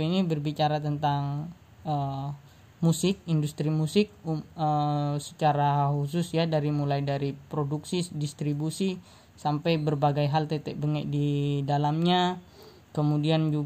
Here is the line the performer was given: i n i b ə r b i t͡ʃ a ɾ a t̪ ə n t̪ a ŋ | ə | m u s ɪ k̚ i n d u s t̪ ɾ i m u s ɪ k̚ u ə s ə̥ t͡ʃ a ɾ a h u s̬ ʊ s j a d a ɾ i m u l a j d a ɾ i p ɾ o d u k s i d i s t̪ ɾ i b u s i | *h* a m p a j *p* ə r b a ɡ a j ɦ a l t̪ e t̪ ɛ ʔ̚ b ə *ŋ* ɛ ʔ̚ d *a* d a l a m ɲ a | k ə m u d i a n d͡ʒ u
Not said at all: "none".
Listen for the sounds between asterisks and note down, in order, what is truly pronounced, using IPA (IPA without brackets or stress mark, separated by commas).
s, b, ŋ, i